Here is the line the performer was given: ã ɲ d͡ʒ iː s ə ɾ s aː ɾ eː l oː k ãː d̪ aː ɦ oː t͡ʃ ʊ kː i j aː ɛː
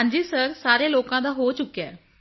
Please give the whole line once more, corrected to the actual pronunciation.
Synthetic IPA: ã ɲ d͡ʒ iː s ə ɾ s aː ɾ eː l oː k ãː d̪ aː ɦ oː t͡ʃ ʊ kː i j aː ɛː